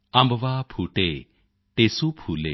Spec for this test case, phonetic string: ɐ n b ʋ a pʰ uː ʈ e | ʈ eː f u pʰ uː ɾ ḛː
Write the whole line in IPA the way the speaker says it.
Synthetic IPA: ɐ m b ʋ a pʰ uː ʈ e | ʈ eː s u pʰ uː l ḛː